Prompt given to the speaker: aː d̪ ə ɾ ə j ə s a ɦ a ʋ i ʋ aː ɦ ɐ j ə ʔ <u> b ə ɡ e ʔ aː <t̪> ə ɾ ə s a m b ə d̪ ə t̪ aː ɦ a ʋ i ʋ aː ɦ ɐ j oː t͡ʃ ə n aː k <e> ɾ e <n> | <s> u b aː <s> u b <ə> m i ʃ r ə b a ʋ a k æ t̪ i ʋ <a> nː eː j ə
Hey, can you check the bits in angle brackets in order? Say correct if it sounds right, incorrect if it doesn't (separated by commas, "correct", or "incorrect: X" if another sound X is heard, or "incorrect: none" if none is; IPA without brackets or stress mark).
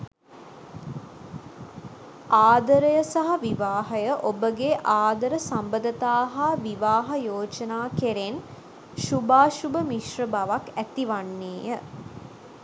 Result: incorrect: o, incorrect: d̪, correct, correct, incorrect: ʃ, incorrect: ʃ, correct, correct